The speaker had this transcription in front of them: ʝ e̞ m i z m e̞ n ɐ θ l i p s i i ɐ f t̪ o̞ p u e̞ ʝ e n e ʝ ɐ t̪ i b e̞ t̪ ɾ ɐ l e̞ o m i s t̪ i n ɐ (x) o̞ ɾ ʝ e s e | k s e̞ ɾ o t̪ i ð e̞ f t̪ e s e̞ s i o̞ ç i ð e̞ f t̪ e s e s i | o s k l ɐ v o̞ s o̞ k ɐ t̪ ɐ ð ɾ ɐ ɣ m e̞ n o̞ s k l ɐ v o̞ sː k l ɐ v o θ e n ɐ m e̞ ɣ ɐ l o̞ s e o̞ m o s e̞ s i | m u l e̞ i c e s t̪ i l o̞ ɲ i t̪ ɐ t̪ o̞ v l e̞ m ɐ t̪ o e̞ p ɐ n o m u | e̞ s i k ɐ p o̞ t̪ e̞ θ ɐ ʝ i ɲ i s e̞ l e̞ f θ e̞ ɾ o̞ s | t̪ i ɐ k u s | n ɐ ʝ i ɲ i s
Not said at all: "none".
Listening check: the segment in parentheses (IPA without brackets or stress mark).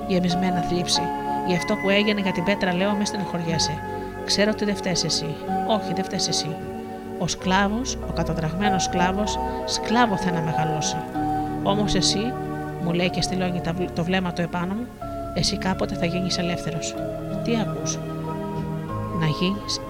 x